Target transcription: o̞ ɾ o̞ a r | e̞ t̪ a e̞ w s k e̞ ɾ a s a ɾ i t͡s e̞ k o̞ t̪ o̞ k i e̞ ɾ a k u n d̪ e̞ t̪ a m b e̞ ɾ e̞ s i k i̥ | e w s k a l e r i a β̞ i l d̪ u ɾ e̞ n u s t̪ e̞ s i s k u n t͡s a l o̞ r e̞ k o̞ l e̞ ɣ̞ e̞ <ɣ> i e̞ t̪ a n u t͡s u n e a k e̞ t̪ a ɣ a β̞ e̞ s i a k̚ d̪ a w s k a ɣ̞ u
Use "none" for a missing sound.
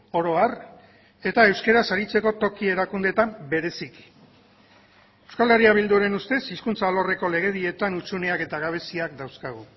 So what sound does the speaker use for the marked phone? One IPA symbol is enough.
ð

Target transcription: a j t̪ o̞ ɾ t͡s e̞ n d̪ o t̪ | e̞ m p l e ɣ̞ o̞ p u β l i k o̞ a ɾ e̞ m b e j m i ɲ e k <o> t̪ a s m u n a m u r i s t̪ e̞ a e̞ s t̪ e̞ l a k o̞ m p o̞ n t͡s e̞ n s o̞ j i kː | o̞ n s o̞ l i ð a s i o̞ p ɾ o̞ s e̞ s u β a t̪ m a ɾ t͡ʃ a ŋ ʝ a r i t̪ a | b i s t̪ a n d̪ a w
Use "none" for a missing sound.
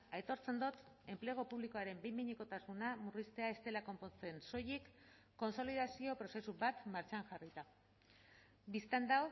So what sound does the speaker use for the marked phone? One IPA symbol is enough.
o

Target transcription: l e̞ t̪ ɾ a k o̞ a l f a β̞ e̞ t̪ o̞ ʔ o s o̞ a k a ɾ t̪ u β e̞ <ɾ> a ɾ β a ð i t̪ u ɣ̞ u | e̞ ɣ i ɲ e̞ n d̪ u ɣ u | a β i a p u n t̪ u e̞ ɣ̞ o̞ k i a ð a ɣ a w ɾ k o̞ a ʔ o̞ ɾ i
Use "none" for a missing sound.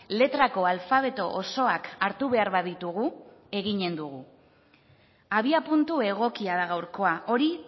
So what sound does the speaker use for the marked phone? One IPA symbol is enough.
none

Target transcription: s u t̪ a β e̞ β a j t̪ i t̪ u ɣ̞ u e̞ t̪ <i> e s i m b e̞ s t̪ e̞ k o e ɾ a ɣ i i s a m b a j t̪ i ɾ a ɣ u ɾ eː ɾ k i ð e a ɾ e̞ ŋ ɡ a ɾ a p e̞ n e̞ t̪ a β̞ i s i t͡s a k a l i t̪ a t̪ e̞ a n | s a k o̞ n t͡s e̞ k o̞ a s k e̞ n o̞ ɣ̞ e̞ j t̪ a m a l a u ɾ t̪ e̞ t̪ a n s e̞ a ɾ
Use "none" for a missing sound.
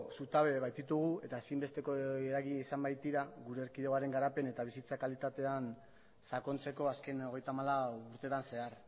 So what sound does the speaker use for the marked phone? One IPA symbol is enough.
a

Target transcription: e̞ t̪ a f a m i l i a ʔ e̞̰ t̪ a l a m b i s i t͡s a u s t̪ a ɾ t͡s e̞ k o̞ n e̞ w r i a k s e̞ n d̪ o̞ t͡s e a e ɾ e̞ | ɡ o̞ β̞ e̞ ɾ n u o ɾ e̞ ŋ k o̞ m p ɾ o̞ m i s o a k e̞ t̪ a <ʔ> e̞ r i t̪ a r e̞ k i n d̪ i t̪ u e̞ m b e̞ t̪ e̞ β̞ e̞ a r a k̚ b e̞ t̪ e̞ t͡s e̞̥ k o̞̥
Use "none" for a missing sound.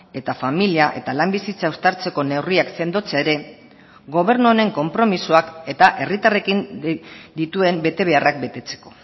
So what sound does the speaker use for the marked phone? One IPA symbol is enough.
ʔ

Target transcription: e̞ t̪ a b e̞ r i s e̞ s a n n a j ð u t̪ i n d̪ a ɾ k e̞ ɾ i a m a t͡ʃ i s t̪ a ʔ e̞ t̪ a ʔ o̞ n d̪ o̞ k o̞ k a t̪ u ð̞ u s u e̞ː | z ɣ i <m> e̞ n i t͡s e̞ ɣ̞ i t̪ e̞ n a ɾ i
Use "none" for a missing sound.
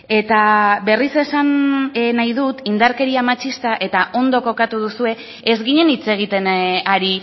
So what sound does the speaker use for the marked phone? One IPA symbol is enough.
ɲ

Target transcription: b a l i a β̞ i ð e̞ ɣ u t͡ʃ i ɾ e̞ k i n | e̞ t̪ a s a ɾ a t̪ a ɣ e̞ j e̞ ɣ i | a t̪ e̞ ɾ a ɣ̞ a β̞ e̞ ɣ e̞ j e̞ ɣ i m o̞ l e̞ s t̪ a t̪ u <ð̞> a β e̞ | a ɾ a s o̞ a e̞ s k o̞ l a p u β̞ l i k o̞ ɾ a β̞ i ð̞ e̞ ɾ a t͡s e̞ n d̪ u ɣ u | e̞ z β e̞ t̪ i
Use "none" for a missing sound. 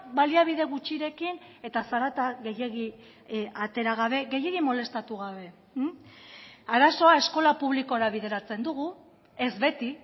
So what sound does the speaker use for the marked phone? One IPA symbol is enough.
ɣ̞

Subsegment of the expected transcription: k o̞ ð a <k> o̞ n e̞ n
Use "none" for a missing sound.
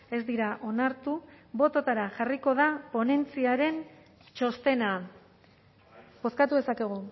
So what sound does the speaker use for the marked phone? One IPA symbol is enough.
p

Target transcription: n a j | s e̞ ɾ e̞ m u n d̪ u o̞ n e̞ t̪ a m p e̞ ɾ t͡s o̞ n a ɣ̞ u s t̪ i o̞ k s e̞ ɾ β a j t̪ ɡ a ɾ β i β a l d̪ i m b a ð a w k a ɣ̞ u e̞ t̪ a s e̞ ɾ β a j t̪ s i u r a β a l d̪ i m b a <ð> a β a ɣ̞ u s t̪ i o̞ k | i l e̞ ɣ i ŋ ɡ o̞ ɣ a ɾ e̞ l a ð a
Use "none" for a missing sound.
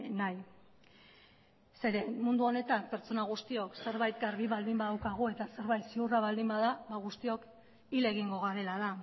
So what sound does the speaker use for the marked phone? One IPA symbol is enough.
ð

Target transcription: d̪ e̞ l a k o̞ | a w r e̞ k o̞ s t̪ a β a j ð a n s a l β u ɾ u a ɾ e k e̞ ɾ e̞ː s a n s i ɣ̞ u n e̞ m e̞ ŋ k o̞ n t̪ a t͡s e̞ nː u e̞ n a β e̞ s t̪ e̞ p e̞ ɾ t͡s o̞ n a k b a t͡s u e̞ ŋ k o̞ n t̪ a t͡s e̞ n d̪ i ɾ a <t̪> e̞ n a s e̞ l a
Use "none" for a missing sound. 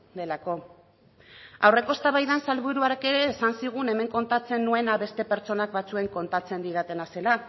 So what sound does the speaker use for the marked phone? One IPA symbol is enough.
t̪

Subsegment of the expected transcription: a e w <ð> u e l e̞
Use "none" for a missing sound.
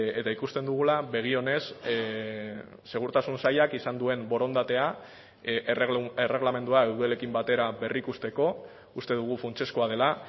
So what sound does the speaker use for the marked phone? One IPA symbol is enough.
ð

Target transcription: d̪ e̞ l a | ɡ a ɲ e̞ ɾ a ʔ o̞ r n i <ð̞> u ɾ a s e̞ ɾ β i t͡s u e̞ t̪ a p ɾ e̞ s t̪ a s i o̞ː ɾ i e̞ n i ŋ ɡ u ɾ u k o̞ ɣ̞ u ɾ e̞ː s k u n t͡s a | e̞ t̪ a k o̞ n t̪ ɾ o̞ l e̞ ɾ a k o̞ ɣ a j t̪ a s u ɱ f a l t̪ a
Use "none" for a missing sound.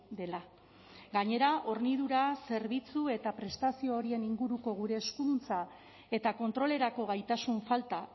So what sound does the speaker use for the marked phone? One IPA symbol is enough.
ð̞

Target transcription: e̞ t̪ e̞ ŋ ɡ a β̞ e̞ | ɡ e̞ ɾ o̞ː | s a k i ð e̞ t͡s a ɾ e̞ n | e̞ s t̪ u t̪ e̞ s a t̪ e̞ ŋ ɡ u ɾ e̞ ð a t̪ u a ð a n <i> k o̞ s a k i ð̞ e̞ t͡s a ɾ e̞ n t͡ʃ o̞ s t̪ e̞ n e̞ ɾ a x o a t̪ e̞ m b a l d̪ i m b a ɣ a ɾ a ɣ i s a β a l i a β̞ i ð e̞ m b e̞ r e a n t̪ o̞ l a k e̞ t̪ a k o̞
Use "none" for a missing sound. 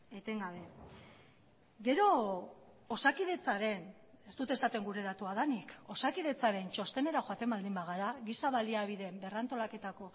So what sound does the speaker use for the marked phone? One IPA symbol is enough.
i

